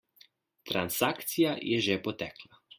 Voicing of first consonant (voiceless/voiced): voiceless